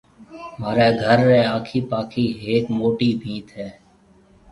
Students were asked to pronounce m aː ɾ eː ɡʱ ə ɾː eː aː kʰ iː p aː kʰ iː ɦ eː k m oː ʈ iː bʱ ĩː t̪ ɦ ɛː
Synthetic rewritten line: m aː ɾ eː ɡʱ ə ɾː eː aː kʰ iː p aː kʰ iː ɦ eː k m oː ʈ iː bʱ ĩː t̪ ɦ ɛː